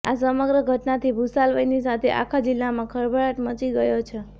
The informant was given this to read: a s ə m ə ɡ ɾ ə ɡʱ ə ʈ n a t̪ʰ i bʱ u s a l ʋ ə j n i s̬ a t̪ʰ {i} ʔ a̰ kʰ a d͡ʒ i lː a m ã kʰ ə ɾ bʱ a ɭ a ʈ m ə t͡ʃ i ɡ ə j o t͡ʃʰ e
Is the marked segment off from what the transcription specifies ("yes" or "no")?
yes